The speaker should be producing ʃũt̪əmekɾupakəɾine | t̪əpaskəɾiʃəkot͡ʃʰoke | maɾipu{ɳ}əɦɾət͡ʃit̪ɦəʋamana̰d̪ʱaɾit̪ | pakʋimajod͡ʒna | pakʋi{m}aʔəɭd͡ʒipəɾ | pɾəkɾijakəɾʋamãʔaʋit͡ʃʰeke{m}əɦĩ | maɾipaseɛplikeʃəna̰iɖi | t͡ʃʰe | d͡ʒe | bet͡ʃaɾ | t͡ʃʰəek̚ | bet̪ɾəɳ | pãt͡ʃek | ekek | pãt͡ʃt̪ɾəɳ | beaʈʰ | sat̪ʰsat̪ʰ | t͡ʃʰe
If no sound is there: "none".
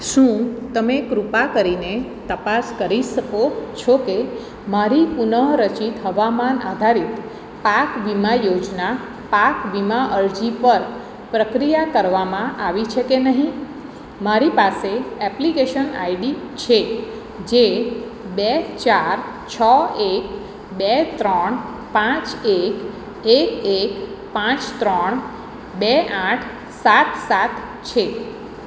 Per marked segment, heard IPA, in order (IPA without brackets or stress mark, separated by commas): n, m, n